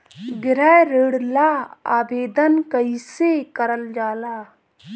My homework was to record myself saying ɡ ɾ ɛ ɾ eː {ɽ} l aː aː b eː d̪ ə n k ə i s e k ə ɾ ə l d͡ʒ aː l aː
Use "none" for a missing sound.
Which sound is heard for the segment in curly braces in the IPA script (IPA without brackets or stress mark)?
ɽ